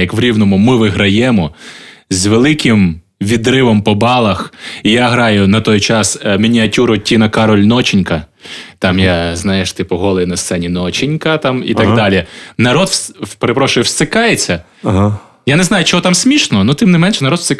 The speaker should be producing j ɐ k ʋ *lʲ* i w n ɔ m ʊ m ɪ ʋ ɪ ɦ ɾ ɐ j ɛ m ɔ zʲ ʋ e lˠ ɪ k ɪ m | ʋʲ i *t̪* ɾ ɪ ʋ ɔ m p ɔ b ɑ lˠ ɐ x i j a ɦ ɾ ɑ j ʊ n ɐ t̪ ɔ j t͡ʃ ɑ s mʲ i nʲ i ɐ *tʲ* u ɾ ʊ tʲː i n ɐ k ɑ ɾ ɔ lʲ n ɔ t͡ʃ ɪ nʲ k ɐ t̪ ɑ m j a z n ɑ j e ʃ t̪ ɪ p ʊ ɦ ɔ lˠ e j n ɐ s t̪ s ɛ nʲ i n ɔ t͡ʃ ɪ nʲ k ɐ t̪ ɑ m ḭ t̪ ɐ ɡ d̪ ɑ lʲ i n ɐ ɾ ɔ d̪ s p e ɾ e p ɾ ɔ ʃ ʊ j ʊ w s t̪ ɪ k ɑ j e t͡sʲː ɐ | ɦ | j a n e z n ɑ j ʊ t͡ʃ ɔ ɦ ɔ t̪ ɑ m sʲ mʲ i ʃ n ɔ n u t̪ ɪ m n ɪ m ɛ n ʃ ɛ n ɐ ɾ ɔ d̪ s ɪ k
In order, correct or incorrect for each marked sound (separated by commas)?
incorrect, incorrect, correct